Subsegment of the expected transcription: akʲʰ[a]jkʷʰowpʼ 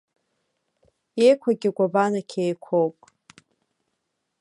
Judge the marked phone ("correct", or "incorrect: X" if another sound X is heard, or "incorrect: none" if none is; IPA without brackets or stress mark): incorrect: e